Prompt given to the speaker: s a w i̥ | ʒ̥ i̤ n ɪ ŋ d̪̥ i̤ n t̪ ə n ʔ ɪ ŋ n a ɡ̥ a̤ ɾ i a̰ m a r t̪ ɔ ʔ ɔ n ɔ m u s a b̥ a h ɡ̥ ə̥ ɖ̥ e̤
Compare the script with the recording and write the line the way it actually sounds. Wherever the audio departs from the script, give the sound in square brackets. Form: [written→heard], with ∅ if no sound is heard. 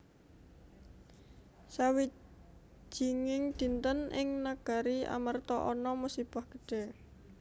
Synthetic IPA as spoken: s a w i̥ | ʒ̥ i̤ [n→ŋ] ɪ ŋ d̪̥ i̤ n t̪ ə n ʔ ɪ ŋ n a ɡ̥ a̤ ɾ i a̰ m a r t̪ ɔ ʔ ɔ n ɔ m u s [a→i] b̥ a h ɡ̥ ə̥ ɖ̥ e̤